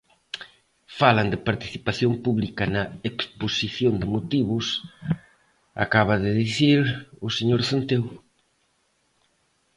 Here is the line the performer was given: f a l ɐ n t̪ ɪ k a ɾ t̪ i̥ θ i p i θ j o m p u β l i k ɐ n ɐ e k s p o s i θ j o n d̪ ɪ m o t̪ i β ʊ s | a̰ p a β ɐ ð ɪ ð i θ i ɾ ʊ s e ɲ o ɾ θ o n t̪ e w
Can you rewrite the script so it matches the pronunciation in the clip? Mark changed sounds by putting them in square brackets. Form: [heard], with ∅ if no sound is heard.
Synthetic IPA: f a l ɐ n [d̪] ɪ [p] a ɾ t̪ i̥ θ i p [a] θ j o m p u β l i k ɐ n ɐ e k s p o s i θ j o n d̪ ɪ m o t̪ i β ʊ s | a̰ [k] a β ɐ ð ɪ ð i θ i ɾ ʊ s e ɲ o ɾ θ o n t̪ e w